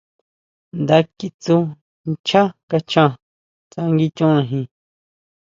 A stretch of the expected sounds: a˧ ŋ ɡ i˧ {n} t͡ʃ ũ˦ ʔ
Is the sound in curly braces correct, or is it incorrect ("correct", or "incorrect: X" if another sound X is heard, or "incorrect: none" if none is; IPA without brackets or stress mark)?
incorrect: none